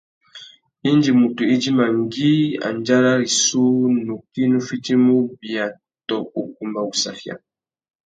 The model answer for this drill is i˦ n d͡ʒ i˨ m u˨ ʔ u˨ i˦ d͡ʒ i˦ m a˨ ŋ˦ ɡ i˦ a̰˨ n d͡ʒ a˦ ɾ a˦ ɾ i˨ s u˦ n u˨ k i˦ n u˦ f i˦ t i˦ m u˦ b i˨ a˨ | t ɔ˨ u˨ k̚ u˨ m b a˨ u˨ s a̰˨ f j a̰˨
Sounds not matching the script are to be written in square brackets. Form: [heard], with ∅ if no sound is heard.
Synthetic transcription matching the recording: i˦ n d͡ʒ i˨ m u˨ [t] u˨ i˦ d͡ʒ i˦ m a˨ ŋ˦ ɡ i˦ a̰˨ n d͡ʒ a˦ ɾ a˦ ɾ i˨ s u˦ n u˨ k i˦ n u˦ f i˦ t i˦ m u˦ b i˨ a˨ | t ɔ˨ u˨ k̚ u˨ m b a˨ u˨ s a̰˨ f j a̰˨

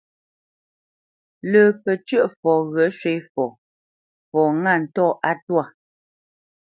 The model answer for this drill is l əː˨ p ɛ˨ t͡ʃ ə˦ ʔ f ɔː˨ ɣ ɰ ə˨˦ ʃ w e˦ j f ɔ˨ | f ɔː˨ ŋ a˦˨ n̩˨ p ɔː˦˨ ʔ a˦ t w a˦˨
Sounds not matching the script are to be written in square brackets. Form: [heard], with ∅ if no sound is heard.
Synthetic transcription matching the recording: l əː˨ p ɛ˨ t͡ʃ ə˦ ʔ f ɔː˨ ɣ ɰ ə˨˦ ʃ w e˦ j f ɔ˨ | f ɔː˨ ŋ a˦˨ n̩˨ [t] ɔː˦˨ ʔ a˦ t w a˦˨

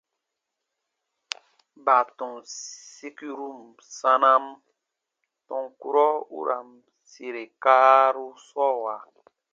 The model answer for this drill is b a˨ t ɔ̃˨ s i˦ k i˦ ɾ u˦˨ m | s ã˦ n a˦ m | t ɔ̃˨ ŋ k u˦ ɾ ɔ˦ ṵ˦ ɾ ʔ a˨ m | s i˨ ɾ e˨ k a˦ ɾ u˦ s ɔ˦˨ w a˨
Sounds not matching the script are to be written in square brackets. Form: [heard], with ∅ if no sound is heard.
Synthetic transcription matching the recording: b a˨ t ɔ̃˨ s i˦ k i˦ ɾ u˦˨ m | s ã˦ n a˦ m | t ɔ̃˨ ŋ k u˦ ɾ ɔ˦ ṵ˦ ɾ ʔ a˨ m | s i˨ ɾ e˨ k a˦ ɾ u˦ s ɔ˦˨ w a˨

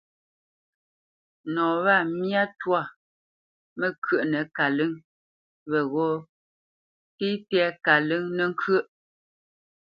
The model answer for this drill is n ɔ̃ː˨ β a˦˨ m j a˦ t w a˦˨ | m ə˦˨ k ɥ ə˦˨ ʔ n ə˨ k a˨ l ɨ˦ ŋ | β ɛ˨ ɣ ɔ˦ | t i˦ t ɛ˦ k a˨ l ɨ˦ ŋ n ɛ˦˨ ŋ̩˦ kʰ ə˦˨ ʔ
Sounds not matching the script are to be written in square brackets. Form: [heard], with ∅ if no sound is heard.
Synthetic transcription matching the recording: n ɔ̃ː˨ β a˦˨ m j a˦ t w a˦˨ | m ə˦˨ k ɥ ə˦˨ ʔ n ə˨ k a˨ l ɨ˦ ŋ | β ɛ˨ ɣ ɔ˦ | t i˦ t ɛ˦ k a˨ l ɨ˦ ŋ n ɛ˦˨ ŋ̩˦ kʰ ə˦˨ ʔ

